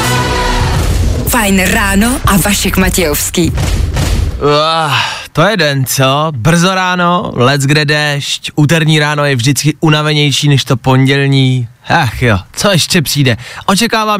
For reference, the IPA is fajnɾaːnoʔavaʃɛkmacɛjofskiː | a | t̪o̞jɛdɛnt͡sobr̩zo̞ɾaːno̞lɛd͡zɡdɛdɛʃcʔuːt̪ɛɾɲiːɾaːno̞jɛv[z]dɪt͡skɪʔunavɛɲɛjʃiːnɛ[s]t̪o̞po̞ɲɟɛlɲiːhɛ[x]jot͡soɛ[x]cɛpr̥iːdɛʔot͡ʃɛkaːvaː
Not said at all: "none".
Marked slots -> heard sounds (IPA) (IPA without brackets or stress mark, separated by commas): ʒ, ʃ, x, ʃ